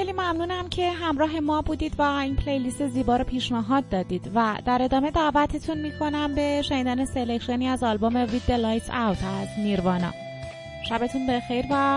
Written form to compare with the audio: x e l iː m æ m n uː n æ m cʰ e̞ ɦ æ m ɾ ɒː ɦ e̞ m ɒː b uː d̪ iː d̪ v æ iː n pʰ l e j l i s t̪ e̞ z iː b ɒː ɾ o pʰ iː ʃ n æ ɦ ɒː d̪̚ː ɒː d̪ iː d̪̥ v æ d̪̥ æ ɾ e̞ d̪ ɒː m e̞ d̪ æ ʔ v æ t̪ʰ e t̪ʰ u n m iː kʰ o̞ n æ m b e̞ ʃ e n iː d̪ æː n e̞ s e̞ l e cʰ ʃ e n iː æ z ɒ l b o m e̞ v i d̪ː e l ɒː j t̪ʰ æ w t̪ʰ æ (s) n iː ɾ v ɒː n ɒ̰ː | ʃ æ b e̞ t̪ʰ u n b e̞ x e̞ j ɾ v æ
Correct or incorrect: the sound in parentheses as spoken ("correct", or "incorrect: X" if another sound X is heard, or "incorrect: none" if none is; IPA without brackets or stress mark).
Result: incorrect: z